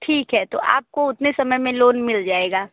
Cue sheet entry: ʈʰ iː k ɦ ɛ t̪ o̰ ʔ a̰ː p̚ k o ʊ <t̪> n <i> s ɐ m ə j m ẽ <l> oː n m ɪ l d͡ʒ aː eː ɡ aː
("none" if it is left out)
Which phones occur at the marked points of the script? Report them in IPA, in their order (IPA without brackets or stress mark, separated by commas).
t̪, e, l